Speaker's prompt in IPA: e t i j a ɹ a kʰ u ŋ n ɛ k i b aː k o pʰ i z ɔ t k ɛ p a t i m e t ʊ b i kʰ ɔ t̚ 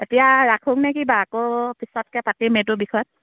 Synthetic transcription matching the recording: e t i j a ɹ a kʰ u ŋ n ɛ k i b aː k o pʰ i s ɔ t k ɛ p a t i m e t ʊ b i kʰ ɔ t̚